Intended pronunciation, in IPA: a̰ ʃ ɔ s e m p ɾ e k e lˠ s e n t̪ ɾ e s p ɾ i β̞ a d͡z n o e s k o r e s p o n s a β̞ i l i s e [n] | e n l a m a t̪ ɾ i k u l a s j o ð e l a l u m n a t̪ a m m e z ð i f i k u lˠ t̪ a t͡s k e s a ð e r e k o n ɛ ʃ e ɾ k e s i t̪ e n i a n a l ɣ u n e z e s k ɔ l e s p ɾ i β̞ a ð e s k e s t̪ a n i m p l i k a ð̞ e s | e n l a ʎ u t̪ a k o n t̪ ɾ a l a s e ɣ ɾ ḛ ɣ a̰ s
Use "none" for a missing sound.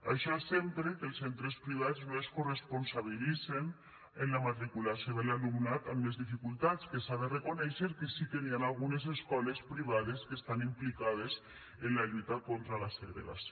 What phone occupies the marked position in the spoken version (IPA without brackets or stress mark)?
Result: n